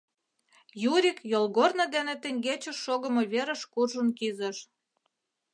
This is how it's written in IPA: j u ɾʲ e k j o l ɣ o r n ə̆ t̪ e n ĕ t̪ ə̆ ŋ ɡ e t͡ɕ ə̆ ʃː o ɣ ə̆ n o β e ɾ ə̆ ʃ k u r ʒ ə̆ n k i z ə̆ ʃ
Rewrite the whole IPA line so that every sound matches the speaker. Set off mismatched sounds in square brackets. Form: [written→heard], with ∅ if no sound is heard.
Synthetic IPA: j u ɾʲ [e→i] k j o l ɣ o r n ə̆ [t̪→d̪] e n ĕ t̪ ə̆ ŋ ɡ e t͡ɕ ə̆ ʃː o ɣ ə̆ [n→m] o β e ɾ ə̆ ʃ k u r ʒ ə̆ n k i z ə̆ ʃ